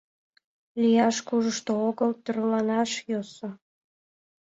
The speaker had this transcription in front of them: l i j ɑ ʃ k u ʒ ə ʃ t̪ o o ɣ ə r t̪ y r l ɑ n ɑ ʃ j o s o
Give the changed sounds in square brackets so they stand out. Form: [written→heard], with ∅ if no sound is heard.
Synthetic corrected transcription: l i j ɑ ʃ k u ʒ ə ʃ t̪ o o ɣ ə [r→l] t̪ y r l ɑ n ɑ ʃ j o s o